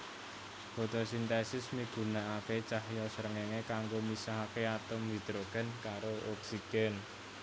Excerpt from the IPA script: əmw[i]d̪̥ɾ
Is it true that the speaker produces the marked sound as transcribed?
yes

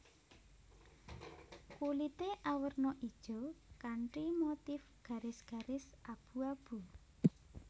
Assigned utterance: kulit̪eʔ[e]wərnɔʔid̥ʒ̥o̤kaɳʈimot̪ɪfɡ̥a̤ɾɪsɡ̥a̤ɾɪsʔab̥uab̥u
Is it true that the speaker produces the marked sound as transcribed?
no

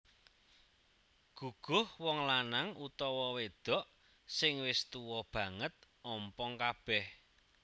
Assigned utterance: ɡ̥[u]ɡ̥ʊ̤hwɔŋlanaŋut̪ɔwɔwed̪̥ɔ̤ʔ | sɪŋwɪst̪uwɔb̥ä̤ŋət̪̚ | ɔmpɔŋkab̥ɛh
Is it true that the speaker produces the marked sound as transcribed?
yes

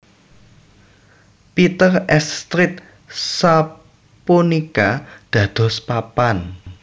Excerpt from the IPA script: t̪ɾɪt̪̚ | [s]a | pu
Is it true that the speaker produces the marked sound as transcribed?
yes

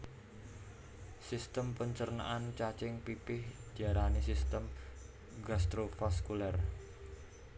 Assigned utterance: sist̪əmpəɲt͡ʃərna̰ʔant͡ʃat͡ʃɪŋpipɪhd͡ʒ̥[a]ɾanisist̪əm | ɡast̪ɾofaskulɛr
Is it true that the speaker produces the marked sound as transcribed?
yes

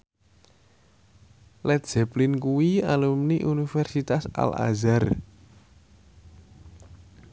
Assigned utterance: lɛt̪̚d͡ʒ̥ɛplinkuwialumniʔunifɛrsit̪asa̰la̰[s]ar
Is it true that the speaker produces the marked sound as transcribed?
no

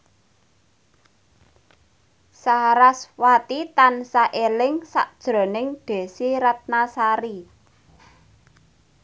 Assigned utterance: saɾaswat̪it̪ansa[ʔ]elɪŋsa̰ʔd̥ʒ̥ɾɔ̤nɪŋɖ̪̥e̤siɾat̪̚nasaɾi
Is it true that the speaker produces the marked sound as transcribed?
yes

